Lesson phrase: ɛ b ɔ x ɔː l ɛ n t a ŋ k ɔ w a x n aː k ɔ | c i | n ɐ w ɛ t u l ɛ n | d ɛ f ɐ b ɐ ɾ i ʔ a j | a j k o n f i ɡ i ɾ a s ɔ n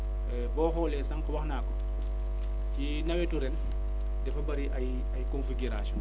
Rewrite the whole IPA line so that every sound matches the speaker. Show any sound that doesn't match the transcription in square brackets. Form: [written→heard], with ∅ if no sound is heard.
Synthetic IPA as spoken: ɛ b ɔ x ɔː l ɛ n [t→s] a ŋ k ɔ w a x n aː k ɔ | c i | n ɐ w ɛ t u [l→ɾ] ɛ n | d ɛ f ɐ b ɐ ɾ i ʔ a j | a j k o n f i ɡ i ɾ a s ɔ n